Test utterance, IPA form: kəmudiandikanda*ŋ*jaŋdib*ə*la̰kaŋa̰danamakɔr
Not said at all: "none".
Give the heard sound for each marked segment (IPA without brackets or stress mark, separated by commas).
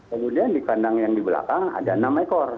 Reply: ŋ, ə